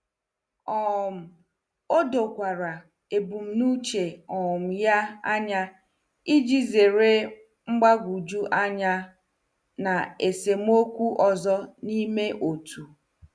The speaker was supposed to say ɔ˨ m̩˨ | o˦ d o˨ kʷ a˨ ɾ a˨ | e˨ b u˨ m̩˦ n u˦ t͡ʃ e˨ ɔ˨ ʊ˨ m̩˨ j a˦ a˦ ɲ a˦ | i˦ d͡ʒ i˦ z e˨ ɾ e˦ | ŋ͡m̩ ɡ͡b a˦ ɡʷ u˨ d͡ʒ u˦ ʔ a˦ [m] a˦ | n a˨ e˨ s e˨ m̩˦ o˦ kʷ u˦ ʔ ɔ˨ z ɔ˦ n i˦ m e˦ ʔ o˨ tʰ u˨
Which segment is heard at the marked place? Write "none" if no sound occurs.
ɲ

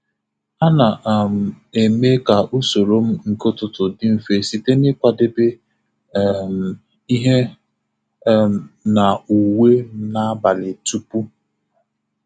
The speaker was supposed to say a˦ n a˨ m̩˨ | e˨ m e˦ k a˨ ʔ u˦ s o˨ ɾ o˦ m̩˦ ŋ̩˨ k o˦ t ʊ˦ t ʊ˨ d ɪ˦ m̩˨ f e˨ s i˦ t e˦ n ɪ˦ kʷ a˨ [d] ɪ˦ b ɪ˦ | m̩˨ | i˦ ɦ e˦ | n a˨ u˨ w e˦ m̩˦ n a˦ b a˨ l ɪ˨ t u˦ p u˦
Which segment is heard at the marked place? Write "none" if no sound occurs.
d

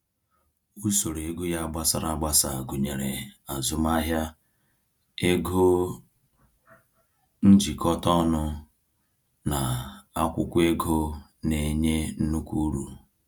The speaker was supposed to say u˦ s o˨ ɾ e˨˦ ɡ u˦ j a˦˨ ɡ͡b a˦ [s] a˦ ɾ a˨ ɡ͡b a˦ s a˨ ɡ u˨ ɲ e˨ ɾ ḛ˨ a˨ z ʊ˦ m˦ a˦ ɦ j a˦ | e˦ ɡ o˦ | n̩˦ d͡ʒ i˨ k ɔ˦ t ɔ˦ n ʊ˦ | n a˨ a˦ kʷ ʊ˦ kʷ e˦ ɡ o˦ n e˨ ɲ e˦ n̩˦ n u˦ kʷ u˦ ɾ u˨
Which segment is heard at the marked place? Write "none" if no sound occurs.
s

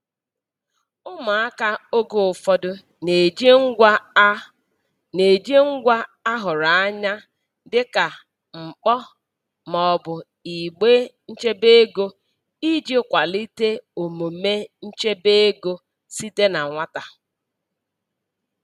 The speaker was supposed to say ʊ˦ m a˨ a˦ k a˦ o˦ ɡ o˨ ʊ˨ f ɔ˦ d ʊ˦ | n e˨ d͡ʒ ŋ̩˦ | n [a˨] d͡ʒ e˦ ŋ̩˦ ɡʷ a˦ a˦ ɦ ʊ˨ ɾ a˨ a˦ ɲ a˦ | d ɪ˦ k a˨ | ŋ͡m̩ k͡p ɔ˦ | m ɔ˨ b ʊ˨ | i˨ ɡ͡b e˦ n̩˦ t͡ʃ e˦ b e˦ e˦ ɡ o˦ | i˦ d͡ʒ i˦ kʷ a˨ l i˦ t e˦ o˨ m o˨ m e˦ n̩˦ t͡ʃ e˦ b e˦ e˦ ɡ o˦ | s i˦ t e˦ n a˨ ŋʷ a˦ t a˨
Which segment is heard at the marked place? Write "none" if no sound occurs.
e˨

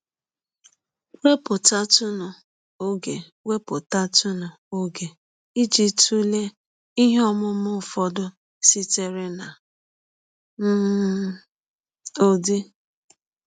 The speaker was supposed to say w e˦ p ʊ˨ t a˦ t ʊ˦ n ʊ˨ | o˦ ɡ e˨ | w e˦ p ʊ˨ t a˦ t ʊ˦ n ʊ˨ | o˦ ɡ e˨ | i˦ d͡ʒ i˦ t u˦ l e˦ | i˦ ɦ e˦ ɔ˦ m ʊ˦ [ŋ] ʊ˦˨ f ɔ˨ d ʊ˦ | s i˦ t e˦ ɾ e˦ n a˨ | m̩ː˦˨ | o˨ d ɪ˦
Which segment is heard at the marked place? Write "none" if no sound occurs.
m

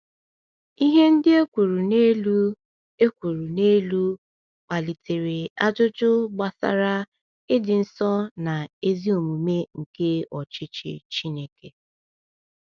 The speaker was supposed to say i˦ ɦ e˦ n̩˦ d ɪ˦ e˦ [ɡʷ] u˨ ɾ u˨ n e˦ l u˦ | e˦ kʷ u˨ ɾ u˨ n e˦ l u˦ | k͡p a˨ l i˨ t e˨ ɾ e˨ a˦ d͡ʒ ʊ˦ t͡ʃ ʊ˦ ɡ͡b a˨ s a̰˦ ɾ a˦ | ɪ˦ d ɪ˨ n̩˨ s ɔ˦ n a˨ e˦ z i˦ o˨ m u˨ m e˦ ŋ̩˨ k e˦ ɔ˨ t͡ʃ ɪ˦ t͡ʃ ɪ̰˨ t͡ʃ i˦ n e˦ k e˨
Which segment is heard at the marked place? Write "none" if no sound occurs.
kʷ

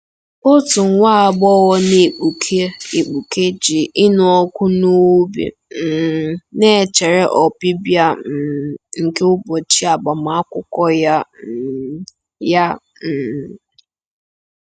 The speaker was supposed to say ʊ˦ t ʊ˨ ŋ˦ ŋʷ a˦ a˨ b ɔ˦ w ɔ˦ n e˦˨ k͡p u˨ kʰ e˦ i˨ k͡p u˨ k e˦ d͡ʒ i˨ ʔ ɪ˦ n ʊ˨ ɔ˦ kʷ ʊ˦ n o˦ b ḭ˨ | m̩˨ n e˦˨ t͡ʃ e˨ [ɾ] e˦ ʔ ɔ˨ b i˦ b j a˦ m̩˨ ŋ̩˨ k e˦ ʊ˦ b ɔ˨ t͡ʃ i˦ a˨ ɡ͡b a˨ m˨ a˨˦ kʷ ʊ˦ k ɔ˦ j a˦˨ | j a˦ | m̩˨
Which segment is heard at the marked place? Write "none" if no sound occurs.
ɾ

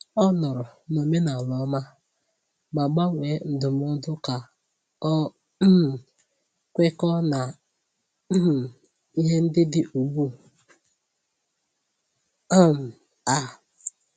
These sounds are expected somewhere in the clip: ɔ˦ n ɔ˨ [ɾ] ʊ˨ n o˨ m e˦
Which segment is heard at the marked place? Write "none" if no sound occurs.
ɾ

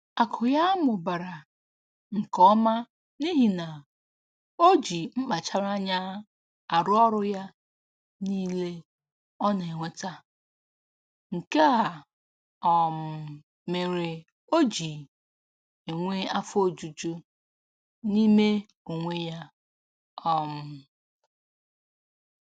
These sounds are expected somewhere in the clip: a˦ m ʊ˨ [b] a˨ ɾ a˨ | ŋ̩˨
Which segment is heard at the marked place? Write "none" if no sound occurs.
b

